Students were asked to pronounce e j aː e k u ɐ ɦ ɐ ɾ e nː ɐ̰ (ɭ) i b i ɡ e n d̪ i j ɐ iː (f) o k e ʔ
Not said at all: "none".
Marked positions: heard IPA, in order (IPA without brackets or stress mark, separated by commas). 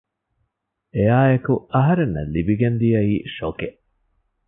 l, ʃ